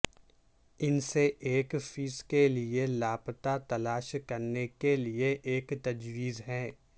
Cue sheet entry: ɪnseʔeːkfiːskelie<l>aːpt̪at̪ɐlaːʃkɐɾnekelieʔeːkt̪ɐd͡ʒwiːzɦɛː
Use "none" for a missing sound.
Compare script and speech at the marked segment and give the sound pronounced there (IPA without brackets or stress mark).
l